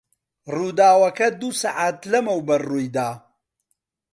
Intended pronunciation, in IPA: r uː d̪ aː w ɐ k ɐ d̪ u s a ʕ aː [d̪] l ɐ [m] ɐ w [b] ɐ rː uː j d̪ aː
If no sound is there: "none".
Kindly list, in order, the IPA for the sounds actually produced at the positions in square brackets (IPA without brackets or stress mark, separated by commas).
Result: t̪, m, b